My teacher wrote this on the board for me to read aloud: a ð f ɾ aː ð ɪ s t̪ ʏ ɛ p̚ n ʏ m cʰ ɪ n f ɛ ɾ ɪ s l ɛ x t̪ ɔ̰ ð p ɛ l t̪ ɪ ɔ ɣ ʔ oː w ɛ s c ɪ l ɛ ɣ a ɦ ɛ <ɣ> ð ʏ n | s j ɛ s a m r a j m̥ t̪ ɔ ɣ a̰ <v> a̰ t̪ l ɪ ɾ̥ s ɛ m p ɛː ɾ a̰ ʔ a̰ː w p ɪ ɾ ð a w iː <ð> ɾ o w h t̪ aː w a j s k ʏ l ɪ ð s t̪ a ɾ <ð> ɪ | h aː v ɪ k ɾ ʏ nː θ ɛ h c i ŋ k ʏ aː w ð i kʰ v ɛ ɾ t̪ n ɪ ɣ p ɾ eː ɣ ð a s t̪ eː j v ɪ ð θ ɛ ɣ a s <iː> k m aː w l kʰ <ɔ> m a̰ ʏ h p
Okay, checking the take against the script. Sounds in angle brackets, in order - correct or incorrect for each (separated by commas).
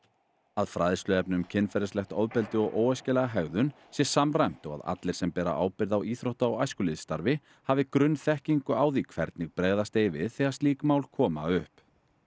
correct, incorrect, incorrect, incorrect, correct, incorrect